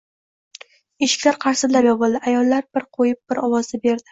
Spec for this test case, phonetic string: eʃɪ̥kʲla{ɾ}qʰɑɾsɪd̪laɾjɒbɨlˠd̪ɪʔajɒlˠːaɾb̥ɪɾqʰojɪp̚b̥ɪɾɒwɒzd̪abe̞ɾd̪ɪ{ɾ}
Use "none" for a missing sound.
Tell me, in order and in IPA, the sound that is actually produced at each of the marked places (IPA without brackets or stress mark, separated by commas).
ɾ, none